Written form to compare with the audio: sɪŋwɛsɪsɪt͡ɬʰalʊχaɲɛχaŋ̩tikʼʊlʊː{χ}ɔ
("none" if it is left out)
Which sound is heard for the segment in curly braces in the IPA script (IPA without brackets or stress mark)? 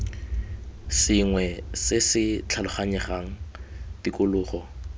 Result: χ